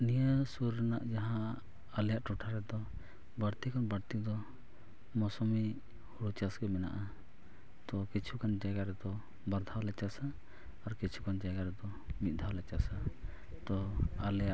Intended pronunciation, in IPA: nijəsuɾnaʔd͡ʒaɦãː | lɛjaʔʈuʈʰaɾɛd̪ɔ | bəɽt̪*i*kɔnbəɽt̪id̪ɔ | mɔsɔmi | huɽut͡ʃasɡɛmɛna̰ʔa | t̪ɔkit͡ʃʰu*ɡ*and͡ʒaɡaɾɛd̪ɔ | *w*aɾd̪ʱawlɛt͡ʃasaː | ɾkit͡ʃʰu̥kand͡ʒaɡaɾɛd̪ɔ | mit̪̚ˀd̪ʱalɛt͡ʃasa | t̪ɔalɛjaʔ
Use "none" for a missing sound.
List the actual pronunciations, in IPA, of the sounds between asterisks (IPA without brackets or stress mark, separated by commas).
i, k, b